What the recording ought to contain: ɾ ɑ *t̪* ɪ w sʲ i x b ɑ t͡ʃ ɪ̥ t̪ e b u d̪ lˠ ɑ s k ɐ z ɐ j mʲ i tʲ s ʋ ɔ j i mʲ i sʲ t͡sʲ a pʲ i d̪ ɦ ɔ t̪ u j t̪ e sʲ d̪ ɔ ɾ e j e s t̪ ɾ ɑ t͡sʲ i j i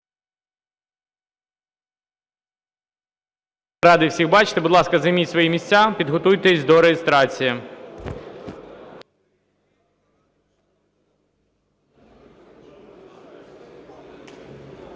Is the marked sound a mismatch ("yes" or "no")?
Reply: yes